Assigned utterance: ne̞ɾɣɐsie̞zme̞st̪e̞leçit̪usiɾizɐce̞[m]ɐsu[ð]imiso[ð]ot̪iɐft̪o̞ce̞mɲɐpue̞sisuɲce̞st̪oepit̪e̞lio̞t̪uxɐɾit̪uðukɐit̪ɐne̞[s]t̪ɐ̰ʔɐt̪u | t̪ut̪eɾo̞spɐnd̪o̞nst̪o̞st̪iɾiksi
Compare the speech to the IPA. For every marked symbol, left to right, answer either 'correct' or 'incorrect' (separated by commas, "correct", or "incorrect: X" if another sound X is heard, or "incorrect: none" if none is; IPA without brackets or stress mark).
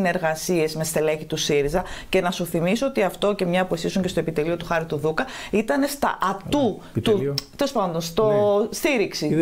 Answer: incorrect: n, incorrect: θ, incorrect: none, correct